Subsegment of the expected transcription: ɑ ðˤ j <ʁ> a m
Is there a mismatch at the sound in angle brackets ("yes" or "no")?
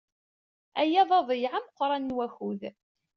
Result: yes